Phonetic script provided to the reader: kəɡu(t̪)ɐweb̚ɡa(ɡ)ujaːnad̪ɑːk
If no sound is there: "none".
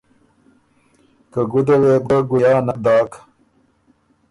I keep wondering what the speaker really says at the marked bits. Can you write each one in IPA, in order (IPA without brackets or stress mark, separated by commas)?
d̪, ɡ